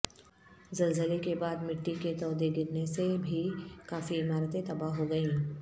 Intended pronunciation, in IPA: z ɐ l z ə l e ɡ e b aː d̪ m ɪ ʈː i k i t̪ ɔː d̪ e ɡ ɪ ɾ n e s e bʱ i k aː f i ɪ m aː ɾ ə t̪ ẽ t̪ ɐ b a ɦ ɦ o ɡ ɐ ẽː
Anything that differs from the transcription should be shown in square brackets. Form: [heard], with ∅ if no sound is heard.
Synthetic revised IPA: z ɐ l z ə l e [k] e b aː d̪ m ɪ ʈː i k [e] t̪ ɔː d̪ e ɡ ɪ ɾ n e s e bʱ i k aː f i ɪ m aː ɾ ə t̪ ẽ t̪ ɐ b a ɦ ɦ o ɡ ɐ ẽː